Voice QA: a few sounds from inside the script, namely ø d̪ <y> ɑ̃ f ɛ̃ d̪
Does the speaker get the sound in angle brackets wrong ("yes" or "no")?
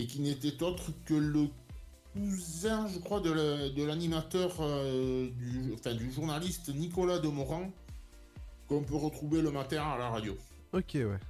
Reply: no